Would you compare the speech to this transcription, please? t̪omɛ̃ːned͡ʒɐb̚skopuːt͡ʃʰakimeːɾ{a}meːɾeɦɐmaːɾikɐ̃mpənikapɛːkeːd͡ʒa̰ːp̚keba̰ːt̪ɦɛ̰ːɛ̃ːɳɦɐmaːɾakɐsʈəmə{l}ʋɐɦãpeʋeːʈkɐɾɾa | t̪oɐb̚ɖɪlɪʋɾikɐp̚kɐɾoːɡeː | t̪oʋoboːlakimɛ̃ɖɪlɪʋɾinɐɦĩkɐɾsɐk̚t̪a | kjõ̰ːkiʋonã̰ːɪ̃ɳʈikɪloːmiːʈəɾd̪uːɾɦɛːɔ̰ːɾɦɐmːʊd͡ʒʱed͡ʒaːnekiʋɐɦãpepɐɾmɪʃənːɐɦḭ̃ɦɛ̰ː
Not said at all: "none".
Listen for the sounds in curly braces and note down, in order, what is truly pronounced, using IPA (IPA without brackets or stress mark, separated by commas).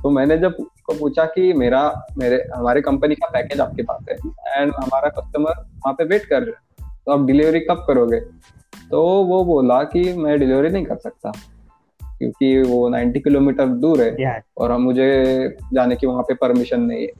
a, ɾ